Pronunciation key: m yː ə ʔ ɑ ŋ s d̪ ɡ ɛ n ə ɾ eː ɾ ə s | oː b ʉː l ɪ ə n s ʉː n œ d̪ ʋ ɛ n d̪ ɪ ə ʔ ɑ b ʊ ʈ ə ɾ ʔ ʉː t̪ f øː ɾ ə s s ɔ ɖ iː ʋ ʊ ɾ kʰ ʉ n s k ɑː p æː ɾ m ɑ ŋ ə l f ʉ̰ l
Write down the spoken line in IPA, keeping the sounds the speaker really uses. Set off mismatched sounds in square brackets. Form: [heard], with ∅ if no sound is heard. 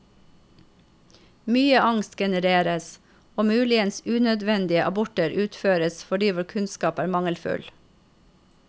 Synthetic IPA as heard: m yː ə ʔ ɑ ŋ s [t̪] ɡ ɛ n ə ɾ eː ɾ ə s | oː [m] ʉː l ɪ ə n s ʉː n œ d̪ ʋ ɛ n d̪ ɪ ə ʔ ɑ b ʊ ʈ ə ɾ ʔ ʉː t̪ f øː ɾ ə s [f] ɔ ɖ iː ʋ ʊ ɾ kʰ ʉ n s k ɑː p æː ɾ m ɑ ŋ ə l f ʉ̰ l